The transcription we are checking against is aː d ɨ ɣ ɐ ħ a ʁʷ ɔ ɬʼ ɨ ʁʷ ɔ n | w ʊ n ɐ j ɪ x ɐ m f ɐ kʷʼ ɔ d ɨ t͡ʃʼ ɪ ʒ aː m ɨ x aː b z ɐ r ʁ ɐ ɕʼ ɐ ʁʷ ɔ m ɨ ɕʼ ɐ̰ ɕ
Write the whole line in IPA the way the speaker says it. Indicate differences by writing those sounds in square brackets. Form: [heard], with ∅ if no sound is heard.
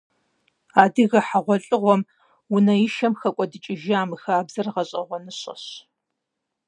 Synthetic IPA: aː d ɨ ɣ ɐ ħ a ʁʷ ɔ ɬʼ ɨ ʁʷ ɔ [m] | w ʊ n ɐ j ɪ [ʃ] ɐ m [x] ɐ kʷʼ ɔ d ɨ t͡ʃʼ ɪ ʒ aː m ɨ x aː b z ɐ r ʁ ɐ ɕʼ ɐ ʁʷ ɔ [n] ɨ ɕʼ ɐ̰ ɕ